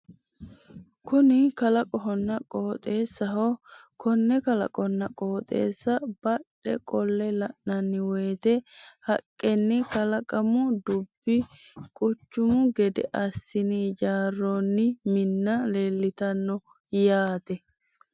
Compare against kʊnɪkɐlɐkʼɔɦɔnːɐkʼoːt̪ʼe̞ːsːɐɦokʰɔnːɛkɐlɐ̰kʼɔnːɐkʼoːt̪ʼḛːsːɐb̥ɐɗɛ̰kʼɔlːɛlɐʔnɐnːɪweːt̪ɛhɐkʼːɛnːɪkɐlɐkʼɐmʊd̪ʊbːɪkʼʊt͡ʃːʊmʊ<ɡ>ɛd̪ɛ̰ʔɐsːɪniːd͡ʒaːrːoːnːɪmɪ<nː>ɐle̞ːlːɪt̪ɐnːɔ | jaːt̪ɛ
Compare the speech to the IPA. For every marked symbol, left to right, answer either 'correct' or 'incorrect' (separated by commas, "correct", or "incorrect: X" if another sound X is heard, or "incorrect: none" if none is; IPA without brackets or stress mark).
correct, correct